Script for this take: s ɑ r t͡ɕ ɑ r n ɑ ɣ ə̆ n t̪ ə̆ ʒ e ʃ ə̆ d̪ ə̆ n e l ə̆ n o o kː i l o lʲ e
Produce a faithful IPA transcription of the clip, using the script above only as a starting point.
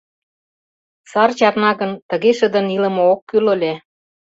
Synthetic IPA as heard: s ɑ r t͡ɕ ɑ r n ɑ ɣ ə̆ n t̪ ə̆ ɣ e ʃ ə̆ d̪ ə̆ n i l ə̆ m o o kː y l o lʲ e